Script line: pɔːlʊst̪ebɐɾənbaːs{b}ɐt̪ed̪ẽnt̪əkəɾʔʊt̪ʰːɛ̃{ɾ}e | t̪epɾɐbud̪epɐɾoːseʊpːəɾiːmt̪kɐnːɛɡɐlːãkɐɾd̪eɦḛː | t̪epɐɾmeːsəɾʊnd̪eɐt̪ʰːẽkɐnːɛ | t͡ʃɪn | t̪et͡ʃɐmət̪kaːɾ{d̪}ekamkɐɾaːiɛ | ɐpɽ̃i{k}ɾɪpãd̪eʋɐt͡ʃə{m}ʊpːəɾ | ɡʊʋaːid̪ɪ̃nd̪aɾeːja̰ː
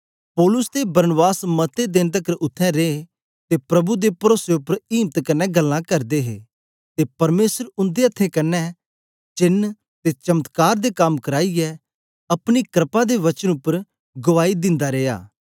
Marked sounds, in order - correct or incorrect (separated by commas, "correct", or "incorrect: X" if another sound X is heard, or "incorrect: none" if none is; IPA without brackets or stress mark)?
incorrect: m, correct, correct, correct, incorrect: n